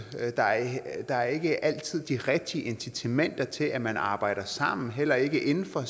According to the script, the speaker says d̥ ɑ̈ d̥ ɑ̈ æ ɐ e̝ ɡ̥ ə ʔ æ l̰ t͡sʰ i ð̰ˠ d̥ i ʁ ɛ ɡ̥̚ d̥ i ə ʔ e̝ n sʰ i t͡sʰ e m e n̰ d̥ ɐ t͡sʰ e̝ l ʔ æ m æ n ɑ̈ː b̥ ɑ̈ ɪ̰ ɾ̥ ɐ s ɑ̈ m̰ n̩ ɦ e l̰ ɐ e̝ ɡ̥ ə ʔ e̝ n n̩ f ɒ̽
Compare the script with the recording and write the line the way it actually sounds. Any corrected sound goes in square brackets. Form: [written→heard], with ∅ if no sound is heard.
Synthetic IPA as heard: d̥ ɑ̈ d̥ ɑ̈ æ ɐ e̝ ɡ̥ ə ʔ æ l̰ t͡sʰ i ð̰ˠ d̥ i ʁ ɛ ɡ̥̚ d̥ i ə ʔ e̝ n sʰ i t͡sʰ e m e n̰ d̥ ɐ t͡sʰ e̝ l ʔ æ m æ n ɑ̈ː b̥ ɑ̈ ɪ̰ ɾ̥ ɐ s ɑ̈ m̰ n̩ ɦ e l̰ ɐ e̝ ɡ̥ ə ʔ e̝ n n̩ f ɒ̽